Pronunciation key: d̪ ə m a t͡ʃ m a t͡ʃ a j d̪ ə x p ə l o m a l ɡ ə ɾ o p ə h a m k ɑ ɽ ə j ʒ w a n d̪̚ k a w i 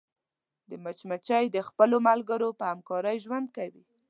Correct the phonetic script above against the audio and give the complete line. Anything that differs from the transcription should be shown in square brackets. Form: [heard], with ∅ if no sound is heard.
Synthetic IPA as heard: d̪ ə m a t͡ʃ m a t͡ʃ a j d̪ ə x p ə l o m a l ɡ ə ɾ o p ə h a m k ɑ [ɾ] ə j ʒ w a n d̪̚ k a w i